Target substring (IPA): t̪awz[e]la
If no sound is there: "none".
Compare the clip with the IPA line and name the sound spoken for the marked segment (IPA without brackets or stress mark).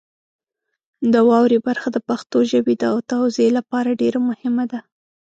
e